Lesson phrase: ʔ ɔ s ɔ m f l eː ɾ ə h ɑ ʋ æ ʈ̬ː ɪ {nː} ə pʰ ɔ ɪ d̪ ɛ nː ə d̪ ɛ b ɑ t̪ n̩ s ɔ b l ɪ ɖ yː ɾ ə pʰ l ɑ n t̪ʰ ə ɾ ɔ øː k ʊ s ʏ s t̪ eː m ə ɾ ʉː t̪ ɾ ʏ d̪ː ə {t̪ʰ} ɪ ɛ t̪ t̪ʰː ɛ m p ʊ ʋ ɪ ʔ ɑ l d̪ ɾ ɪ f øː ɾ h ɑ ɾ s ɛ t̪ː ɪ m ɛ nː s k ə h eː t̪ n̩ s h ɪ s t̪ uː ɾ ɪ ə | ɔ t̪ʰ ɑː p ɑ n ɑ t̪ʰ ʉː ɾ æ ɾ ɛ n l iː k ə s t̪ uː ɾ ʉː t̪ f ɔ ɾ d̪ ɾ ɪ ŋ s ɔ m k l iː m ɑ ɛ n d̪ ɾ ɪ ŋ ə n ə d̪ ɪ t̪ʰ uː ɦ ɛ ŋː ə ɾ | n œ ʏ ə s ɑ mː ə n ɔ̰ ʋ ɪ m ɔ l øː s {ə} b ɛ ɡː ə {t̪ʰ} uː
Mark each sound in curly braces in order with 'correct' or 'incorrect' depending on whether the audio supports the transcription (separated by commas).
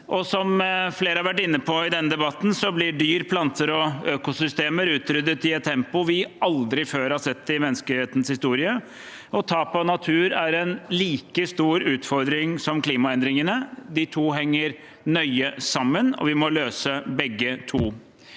correct, incorrect, correct, correct